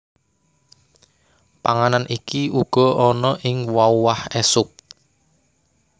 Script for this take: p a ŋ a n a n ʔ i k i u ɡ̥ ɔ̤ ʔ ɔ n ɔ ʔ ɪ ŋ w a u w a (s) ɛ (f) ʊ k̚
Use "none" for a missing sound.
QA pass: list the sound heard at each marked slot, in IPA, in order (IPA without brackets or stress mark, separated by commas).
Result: h, s